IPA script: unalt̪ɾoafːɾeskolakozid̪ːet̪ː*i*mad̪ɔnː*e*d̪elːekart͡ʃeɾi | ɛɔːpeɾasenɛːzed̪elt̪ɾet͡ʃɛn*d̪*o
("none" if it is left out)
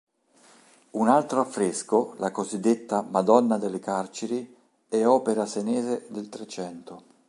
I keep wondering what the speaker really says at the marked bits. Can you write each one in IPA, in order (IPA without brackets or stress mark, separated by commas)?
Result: a, a, t̪